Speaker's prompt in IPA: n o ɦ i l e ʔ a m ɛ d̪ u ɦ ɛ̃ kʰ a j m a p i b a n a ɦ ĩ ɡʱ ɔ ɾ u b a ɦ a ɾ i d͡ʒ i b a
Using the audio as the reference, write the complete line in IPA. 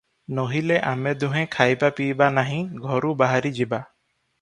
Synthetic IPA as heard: n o ɦ i l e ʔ a m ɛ d̪ u ɦ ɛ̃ kʰ a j b a p i b a n a ɦ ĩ ɡʱ ɔ ɾ u b a ɦ a ɾ i d͡ʒ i b a